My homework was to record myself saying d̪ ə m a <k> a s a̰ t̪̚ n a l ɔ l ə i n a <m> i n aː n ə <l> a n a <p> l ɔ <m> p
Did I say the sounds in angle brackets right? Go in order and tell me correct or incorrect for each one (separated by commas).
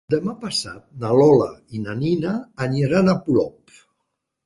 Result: incorrect, incorrect, incorrect, correct, incorrect